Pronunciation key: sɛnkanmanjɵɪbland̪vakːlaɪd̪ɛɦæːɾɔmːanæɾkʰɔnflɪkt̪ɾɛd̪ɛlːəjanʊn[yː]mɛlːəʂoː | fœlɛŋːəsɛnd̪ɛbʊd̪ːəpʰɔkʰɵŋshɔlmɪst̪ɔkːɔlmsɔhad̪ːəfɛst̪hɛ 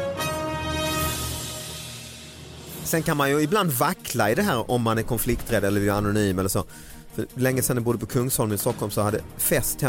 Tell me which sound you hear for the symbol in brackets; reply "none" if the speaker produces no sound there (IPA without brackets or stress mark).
yː